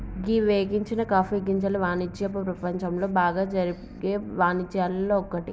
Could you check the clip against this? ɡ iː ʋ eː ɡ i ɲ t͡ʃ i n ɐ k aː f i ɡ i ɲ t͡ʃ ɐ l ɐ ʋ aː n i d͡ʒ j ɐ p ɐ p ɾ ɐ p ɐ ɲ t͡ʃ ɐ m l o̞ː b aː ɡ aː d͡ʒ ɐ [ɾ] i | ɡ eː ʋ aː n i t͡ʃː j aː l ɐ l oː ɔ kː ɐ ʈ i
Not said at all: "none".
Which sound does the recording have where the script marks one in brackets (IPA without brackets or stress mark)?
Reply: ɾ